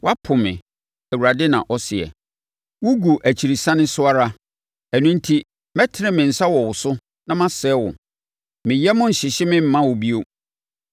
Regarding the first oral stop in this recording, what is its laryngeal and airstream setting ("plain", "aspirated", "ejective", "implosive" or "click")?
aspirated